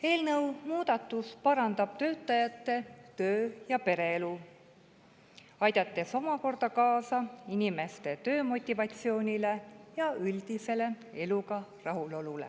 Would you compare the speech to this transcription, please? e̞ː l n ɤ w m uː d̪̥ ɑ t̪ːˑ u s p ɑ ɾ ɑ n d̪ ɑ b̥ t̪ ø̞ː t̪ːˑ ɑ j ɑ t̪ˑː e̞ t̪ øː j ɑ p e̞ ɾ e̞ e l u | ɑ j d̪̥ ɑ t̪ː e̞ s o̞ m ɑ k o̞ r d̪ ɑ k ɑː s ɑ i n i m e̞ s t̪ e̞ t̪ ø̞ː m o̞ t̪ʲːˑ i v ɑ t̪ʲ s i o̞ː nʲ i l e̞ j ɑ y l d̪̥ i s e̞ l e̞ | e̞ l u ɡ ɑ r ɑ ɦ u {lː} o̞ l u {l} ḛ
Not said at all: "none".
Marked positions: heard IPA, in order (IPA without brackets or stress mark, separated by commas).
l, l